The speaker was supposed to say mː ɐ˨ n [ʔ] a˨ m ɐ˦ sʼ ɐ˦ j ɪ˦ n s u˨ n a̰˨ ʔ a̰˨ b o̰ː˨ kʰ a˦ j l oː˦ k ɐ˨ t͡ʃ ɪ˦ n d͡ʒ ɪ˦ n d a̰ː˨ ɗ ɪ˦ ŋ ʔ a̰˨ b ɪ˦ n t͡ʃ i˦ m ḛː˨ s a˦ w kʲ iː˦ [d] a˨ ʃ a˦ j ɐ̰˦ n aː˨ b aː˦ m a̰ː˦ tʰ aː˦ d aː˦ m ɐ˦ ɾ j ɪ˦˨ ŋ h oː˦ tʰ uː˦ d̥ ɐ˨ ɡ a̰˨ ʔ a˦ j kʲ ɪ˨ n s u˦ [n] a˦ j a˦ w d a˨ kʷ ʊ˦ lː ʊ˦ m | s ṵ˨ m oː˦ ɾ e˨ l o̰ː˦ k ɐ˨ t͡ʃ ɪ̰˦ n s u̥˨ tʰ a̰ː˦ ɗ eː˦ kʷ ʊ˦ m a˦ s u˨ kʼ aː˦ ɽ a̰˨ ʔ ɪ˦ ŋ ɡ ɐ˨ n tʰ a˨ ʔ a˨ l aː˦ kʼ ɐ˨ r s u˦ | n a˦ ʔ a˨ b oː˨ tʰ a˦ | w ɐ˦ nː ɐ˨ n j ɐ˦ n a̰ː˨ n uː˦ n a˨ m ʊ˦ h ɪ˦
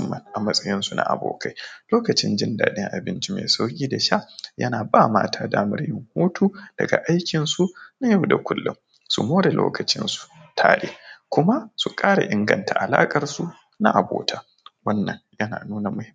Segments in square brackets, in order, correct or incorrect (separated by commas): correct, correct, correct